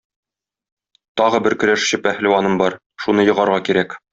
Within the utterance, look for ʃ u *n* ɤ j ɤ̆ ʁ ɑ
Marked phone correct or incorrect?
correct